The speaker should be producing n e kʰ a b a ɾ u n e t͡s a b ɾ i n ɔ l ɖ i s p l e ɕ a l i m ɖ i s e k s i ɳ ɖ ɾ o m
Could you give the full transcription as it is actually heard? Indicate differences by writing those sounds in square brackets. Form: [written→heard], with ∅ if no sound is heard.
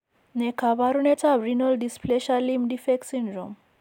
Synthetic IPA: n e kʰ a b a ɾ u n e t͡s a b ɾ i n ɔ l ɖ i s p l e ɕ a l i m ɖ i [s→f] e k s i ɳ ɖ ɾ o m